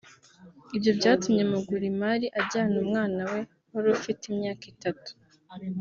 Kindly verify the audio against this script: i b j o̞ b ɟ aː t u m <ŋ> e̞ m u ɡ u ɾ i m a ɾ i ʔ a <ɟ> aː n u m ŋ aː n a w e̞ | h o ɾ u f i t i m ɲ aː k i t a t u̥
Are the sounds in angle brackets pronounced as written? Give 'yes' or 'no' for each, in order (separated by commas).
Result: no, yes